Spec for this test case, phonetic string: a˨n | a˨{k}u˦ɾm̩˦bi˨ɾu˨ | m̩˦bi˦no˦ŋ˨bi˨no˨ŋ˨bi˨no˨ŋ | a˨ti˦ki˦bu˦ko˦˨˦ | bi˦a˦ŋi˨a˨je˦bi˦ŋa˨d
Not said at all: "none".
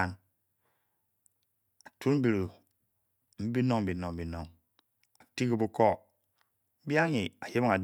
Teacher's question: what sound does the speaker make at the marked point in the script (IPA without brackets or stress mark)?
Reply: t